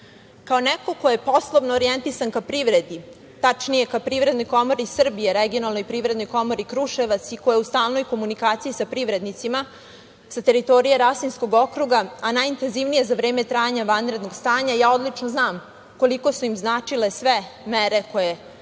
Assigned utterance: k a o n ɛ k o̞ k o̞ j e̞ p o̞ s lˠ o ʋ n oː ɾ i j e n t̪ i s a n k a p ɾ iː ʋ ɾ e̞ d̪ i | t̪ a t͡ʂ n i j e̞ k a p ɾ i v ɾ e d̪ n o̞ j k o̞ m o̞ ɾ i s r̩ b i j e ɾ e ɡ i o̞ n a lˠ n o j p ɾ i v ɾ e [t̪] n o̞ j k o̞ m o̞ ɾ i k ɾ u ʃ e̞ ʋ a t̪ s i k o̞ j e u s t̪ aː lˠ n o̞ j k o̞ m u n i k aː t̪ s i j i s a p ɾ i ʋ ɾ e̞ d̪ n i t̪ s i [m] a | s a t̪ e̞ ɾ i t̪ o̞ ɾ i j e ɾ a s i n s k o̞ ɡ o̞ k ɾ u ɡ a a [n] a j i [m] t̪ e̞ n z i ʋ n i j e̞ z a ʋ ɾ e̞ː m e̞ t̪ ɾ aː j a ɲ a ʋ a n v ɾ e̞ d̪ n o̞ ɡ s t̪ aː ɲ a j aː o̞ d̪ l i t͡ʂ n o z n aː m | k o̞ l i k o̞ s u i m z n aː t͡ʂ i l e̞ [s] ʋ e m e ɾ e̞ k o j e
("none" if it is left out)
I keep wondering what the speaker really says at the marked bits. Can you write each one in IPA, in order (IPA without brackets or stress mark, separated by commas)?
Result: d̪, m, n, n, s